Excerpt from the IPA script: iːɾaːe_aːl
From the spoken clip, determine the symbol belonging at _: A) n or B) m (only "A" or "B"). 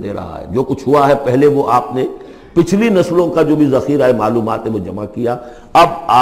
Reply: B